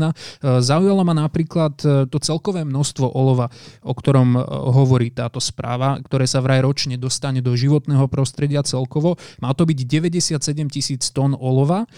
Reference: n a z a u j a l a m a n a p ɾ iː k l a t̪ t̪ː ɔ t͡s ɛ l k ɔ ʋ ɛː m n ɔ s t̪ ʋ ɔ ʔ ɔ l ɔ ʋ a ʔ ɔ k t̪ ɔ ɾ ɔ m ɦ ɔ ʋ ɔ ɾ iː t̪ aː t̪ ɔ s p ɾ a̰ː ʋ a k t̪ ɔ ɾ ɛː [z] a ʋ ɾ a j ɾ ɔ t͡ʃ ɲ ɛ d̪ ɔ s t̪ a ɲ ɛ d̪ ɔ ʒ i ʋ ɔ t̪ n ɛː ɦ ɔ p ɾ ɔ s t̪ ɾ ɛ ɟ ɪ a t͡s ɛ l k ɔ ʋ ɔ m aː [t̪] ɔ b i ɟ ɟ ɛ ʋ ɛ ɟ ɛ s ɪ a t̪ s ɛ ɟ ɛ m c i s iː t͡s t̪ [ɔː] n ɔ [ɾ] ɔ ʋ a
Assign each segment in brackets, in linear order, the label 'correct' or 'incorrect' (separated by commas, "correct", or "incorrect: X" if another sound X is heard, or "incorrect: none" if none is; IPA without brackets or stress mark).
incorrect: s, correct, incorrect: ɔ, incorrect: l